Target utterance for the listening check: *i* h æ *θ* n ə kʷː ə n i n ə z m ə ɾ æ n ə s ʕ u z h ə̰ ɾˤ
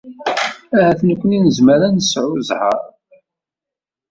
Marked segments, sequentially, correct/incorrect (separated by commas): incorrect, correct